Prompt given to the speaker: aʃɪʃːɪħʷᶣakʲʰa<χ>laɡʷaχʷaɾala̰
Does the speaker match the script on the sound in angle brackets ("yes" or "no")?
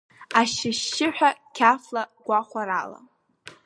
no